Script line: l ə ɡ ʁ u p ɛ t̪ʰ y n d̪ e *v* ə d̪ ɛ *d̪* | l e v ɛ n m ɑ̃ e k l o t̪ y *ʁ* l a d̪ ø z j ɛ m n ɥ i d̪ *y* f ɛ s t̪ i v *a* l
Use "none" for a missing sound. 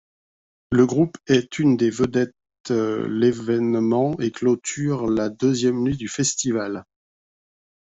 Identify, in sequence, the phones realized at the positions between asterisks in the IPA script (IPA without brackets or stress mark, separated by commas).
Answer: v, t̪, ʁ, y, a